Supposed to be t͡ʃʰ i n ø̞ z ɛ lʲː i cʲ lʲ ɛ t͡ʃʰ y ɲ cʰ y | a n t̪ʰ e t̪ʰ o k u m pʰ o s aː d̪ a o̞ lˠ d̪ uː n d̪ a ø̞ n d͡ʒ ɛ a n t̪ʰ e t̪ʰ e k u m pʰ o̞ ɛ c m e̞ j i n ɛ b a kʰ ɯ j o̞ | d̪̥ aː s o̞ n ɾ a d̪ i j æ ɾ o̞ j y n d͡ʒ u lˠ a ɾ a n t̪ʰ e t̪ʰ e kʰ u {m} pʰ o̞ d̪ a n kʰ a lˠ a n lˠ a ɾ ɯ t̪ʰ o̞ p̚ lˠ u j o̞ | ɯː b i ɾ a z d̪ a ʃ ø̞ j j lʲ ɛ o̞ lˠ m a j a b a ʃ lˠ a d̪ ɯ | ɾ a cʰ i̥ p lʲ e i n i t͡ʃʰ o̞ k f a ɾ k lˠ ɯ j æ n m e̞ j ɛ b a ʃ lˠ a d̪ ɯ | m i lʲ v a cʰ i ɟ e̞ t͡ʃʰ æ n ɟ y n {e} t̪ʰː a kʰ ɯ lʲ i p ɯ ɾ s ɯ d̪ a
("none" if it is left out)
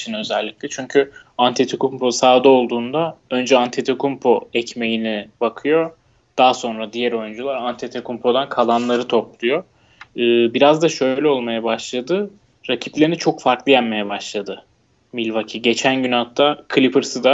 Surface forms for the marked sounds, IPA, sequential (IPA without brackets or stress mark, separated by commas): m, a